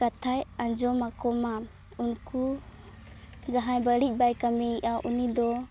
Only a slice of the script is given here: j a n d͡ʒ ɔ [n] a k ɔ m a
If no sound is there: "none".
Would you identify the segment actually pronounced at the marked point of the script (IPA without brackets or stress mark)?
m